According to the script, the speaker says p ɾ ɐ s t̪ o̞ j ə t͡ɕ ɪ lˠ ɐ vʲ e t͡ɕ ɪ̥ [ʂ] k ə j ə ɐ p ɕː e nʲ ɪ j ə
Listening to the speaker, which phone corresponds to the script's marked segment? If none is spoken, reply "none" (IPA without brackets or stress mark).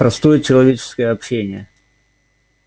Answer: s